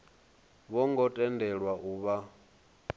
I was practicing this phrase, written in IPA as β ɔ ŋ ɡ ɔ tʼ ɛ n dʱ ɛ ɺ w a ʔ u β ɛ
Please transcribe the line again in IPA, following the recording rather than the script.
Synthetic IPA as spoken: β ɔ ŋ ɡ ɔ tʼ ɛ n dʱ ɛ ɺ w a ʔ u β a